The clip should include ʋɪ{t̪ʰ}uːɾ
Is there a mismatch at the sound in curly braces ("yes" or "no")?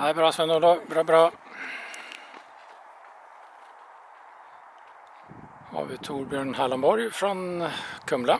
no